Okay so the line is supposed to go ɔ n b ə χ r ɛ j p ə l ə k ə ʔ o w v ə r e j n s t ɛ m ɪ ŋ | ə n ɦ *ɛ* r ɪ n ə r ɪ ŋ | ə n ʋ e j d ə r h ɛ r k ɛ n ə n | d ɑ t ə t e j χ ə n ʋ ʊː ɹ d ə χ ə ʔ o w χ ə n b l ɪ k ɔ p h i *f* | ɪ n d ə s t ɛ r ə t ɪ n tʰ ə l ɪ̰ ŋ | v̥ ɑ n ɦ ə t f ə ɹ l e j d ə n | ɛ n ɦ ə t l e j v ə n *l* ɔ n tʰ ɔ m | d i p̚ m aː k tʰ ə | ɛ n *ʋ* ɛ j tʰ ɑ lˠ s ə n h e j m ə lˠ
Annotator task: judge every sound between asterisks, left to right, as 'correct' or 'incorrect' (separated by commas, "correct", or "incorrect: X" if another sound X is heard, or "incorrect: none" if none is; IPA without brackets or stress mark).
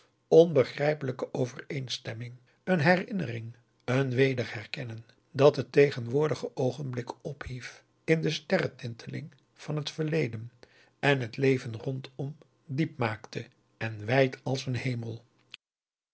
correct, correct, incorrect: r, correct